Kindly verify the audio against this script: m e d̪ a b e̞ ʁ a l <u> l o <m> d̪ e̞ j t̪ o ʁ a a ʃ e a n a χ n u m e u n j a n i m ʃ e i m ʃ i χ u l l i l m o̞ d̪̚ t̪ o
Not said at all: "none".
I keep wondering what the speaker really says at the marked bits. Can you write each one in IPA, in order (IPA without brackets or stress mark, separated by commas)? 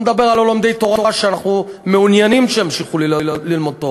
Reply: o, m